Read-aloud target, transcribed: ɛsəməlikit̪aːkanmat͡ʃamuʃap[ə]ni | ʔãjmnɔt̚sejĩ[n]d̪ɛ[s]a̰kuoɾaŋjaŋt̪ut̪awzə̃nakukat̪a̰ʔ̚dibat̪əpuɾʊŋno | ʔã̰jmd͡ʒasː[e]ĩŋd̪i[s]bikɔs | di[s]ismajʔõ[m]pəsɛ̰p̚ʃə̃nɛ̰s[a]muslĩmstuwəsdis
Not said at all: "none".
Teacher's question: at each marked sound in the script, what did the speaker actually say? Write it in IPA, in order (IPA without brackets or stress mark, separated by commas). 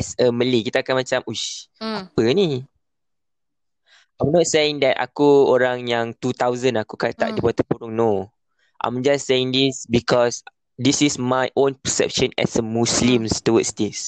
ə, ŋ, t, e, s, s, n, ə